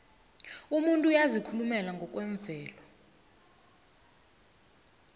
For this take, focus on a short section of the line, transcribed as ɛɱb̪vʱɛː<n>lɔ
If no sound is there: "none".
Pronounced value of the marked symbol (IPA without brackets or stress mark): none